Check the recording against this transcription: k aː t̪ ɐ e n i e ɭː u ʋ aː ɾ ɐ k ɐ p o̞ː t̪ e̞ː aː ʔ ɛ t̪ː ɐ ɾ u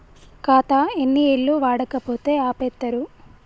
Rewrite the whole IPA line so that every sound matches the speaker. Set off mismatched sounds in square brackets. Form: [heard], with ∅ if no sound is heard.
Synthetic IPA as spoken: k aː t̪ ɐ e [nː] i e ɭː u ʋ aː [ɽ] ɐ k ɐ p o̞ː t̪ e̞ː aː [p] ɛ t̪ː ɐ ɾ u